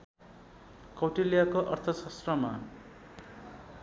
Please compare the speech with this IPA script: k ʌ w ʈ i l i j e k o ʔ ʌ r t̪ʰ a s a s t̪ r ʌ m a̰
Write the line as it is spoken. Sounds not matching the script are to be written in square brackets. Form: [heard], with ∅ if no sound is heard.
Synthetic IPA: k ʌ w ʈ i l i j [a] k o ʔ ʌ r t̪ʰ [ʌ] s [ʌ] s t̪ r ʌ m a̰